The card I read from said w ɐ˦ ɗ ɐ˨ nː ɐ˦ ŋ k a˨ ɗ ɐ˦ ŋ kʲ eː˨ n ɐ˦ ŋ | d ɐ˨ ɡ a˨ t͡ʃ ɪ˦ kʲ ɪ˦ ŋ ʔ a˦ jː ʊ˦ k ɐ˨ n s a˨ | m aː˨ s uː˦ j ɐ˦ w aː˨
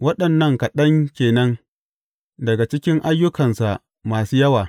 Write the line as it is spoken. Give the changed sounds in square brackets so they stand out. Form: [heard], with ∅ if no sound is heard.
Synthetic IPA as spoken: w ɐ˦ ɗ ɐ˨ nː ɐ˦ ŋ k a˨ ɗ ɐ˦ ŋ kʲ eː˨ n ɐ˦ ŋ | d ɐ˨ ɡ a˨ t͡ʃ ɪ˦ kʲ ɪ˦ ŋ ʔ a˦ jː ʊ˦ k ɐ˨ n s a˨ | m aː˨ s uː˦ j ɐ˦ w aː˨